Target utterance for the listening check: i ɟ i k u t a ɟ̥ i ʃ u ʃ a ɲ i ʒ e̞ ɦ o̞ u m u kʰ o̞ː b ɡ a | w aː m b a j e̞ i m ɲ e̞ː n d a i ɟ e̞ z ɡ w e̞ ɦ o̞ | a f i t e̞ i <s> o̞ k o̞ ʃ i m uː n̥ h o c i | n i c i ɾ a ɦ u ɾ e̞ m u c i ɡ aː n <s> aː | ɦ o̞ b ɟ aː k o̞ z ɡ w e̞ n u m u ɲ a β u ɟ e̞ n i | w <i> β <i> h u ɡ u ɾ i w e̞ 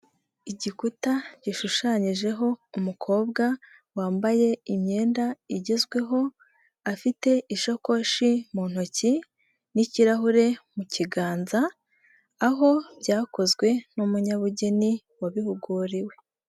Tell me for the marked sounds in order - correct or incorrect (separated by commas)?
incorrect, incorrect, incorrect, correct